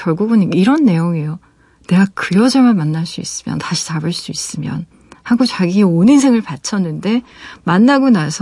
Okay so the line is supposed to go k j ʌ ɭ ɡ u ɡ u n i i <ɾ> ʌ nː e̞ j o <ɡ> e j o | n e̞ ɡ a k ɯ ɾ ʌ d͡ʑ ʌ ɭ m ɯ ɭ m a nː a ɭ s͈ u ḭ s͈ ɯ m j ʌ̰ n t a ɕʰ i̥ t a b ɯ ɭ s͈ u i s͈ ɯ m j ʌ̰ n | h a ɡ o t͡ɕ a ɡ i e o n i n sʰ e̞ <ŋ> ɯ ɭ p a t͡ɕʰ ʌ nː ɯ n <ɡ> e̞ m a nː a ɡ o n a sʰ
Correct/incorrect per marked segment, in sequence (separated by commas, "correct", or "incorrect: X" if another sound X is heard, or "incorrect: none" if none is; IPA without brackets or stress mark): correct, incorrect: ŋ, correct, incorrect: d